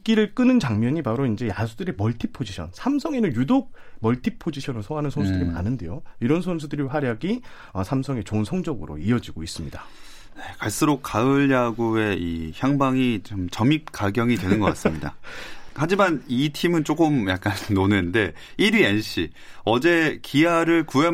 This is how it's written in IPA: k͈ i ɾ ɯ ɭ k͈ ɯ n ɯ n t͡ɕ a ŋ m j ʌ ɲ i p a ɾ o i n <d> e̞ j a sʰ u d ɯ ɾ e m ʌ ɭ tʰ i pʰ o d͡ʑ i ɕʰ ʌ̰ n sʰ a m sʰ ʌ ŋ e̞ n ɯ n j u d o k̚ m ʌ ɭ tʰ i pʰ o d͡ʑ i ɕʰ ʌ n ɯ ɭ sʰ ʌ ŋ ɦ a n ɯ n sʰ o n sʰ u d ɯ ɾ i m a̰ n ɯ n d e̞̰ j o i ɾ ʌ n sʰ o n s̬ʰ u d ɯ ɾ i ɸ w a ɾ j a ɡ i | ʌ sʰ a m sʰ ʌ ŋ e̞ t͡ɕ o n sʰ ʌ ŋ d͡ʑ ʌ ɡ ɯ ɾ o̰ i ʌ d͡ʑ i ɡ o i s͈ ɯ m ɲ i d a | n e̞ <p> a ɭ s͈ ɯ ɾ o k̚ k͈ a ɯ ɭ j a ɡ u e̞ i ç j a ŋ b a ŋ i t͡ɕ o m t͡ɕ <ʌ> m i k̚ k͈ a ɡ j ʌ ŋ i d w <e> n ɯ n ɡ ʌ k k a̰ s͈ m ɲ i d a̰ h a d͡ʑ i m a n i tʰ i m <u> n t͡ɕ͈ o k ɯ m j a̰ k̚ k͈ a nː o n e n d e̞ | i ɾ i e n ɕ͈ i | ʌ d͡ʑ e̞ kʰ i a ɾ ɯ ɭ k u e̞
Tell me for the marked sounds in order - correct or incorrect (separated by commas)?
incorrect, incorrect, correct, correct, incorrect